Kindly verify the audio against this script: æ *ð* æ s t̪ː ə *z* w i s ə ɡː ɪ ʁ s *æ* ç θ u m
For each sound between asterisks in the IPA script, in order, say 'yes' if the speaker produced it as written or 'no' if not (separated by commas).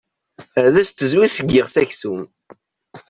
yes, yes, yes